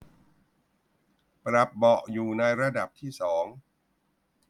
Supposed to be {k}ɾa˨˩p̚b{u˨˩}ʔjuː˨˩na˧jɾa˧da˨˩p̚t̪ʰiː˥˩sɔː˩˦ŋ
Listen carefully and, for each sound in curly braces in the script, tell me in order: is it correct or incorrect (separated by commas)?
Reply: incorrect, incorrect